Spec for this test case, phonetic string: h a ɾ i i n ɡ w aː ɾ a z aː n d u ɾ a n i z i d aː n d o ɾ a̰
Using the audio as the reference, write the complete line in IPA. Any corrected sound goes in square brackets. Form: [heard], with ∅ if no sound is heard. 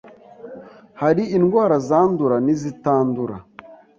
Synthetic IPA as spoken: h a ɾ i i n ɡ w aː ɾ a z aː n d u ɾ a n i z i [t] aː n d [u] ɾ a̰